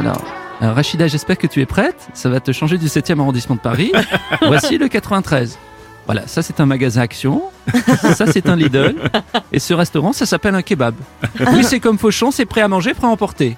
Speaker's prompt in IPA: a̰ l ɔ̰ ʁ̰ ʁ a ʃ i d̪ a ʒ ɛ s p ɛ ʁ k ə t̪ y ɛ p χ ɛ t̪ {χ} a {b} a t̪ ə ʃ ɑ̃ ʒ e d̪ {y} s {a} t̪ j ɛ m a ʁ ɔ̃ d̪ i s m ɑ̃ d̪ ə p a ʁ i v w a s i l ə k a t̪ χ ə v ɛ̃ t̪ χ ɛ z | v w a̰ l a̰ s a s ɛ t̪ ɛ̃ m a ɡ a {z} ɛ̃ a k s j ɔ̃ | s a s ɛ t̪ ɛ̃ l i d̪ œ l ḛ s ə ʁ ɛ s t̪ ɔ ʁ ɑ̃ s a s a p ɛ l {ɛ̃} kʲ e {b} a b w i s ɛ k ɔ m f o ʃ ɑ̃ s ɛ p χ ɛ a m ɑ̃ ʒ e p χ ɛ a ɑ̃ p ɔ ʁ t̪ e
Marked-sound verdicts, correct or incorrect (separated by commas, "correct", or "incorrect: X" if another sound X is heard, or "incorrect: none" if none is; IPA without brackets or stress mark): incorrect: s, incorrect: v, correct, incorrect: ɛ, correct, correct, correct